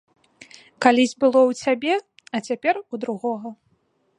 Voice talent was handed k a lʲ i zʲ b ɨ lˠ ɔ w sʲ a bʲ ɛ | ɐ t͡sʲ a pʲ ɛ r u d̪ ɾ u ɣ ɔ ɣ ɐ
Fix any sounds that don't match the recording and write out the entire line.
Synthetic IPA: k a lʲ i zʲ b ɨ lˠ ɔ w t͡sʲ a bʲ ɛ | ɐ t͡sʲ a pʲ ɛ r u d̪ ɾ u ɣ ɔ ɣ ɐ